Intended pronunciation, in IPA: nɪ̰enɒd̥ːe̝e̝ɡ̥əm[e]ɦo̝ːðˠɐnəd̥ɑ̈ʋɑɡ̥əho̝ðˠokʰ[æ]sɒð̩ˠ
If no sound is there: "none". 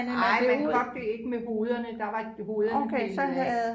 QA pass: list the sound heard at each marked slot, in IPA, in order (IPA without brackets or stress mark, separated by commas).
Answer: e, e